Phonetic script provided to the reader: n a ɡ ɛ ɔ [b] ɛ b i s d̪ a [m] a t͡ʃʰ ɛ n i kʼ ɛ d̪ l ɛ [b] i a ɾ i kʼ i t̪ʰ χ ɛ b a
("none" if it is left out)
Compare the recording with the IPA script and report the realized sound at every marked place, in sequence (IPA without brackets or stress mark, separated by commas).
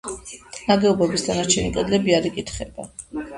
b, n, b